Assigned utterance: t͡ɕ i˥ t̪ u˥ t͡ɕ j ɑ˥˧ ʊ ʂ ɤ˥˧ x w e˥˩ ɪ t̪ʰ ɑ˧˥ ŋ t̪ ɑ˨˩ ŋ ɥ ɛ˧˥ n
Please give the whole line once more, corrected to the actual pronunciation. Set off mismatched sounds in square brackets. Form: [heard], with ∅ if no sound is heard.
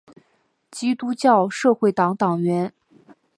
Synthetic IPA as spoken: t͡ɕ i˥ t̪ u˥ t͡ɕ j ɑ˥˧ ʊ ʂ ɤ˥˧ x w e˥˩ ɪ [t̪] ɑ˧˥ ŋ t̪ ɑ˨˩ ŋ ɥ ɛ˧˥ n